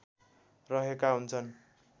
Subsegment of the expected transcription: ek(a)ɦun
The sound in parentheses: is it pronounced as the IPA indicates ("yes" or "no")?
yes